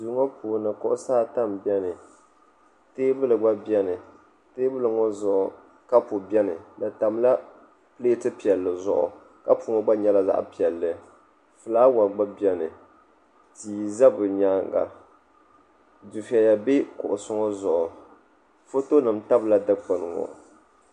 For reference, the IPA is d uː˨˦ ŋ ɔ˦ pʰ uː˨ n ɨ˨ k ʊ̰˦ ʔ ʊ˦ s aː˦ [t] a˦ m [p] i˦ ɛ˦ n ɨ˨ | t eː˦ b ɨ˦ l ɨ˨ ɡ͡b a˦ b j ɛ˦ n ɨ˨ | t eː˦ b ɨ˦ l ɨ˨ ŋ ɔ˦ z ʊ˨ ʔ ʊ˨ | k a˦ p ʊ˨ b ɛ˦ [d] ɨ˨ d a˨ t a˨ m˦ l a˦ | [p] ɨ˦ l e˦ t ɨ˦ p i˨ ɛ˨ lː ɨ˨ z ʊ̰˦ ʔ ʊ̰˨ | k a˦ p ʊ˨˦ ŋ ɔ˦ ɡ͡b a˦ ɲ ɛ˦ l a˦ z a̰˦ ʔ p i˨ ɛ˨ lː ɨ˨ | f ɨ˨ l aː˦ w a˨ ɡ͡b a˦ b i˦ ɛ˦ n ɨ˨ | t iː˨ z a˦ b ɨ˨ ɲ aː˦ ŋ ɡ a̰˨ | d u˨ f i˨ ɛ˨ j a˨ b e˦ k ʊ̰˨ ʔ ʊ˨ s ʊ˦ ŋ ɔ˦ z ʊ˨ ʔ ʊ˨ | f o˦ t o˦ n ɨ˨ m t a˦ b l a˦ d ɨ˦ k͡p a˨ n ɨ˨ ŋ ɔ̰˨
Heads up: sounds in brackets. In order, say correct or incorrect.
correct, incorrect: b, incorrect: n, correct

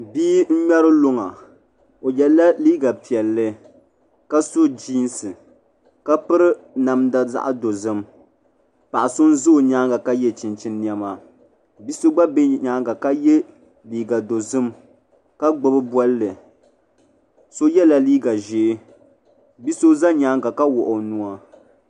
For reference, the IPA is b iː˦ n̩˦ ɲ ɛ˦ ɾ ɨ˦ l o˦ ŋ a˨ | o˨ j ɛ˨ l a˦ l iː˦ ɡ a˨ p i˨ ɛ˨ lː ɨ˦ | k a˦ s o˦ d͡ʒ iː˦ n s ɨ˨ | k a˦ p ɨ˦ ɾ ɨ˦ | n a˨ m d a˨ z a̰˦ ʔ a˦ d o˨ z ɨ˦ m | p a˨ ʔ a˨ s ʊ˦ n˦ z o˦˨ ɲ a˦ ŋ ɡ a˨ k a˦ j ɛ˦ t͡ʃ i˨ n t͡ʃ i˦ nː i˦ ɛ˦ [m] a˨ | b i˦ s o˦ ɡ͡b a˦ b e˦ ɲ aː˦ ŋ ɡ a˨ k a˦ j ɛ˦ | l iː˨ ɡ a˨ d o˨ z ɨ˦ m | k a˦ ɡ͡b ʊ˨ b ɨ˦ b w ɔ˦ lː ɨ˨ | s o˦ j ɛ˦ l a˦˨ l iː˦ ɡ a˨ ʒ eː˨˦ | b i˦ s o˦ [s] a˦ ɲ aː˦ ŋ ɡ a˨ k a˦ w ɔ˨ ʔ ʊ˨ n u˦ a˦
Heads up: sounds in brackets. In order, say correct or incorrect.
correct, incorrect: z

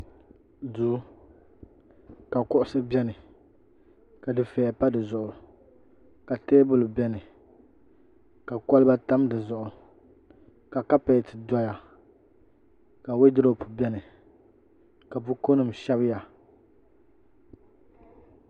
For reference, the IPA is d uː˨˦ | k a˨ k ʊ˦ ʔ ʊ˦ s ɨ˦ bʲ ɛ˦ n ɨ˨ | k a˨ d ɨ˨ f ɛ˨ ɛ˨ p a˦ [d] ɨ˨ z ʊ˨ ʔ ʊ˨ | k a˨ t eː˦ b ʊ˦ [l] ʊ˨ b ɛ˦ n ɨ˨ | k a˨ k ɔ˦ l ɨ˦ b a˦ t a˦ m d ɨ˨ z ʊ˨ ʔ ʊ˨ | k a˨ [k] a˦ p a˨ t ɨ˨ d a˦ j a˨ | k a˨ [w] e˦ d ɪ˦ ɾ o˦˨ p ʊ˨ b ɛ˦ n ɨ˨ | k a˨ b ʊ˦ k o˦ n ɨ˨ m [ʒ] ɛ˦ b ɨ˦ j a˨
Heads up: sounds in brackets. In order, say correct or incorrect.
correct, correct, correct, correct, incorrect: ʃ

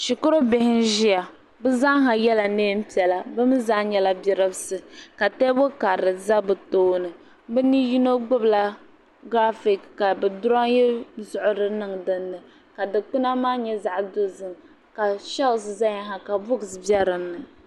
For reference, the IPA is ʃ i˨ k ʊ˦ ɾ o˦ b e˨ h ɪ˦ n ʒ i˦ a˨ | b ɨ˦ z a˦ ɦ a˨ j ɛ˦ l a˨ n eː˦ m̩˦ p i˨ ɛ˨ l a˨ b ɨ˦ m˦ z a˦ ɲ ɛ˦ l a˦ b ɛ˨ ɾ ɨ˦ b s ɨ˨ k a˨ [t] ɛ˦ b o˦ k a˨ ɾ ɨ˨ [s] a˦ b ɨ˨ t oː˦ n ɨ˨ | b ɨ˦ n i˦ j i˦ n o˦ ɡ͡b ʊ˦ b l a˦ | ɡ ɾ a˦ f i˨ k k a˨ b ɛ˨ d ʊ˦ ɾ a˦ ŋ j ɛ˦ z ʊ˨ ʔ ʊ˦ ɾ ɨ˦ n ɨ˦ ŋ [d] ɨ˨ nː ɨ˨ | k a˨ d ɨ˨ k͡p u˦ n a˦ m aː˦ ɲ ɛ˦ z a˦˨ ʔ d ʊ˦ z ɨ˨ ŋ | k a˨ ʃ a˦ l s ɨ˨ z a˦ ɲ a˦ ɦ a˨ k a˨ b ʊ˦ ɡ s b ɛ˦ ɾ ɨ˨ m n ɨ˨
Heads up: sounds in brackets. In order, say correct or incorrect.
correct, incorrect: z, correct

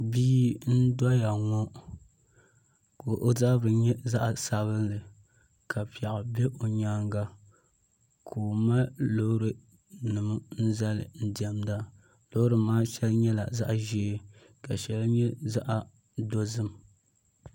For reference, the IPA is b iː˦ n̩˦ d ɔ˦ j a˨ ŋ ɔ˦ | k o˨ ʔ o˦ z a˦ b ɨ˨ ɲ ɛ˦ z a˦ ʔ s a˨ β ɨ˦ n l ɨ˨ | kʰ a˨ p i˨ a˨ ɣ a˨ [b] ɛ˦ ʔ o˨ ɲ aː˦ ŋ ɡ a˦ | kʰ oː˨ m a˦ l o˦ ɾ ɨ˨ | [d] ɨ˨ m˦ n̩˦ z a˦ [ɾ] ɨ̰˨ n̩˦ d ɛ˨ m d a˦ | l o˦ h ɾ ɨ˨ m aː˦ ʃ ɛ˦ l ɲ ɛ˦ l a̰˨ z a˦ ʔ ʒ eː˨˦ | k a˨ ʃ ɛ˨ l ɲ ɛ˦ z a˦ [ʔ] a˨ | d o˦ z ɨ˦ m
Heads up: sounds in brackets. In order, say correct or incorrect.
correct, incorrect: n, incorrect: l, correct

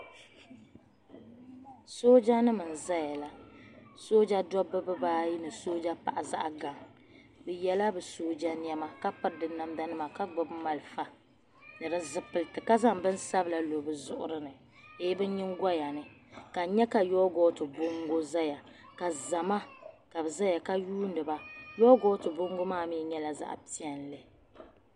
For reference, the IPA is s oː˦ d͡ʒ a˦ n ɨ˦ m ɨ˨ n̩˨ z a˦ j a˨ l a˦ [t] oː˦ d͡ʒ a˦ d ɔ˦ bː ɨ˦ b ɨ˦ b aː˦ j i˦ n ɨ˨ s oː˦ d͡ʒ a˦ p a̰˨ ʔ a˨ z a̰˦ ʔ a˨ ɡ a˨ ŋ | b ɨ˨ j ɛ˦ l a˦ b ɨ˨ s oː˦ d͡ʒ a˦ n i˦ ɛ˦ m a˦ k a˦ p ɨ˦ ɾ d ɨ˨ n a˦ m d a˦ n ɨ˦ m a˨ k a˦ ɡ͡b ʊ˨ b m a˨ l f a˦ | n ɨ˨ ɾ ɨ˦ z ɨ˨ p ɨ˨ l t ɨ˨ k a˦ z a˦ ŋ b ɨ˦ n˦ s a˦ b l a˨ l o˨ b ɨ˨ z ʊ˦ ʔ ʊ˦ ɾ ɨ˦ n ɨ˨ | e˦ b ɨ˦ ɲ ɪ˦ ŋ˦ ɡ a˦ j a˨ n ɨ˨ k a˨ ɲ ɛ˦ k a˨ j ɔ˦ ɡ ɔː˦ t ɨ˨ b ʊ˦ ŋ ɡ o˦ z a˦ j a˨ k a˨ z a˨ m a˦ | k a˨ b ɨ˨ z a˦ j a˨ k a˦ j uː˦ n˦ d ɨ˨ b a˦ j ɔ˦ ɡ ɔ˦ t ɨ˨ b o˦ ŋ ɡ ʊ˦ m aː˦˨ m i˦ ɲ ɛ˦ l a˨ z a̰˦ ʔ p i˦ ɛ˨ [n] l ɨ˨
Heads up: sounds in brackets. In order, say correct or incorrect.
incorrect: s, correct

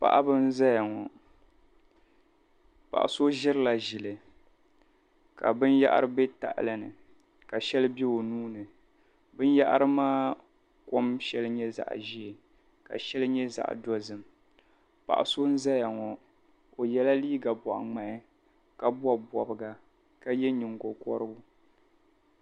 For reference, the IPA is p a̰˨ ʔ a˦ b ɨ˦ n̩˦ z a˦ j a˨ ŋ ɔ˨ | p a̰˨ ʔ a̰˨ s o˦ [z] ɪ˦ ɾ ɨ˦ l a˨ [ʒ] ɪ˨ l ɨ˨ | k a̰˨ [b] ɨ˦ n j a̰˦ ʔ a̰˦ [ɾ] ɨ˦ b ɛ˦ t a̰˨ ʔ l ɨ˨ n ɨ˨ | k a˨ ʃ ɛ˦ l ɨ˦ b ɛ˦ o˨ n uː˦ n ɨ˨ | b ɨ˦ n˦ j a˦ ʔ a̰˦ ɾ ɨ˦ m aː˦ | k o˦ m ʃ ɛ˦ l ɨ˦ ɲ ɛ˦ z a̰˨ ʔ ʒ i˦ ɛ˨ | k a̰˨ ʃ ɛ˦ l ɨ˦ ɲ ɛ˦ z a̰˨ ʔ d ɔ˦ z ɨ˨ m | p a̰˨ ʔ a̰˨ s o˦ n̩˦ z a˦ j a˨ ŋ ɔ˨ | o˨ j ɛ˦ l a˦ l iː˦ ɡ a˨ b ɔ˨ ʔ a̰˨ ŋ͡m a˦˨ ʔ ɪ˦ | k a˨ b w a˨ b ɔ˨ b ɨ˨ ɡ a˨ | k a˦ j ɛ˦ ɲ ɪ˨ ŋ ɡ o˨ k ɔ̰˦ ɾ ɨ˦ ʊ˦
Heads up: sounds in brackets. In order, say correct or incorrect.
incorrect: ʒ, correct, correct, correct

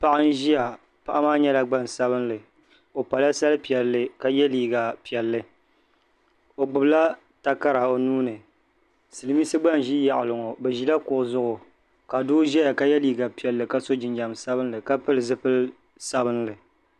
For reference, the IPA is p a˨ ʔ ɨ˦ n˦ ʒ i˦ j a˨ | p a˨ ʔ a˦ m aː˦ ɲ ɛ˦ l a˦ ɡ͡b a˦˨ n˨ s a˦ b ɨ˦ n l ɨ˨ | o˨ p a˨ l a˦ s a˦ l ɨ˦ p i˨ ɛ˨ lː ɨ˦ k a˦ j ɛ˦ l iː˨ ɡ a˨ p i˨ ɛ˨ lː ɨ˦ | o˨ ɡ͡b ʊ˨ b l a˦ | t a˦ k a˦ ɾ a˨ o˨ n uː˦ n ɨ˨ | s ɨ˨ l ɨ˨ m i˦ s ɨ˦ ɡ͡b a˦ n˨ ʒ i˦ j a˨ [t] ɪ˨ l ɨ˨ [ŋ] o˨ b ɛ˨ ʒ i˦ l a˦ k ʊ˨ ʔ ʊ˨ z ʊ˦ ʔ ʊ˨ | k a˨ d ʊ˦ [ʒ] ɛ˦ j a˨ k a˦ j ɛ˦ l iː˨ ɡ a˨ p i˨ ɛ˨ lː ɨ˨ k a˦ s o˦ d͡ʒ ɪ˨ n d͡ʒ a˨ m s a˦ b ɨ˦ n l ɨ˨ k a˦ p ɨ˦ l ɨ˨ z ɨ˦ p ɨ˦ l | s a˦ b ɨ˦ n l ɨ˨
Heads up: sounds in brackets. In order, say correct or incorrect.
incorrect: ʔ, correct, correct

